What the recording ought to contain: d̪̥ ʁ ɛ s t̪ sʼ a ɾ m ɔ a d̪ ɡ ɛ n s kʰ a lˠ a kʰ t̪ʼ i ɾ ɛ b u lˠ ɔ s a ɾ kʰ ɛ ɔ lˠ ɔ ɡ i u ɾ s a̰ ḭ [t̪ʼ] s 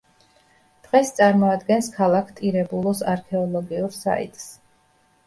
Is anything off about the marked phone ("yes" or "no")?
no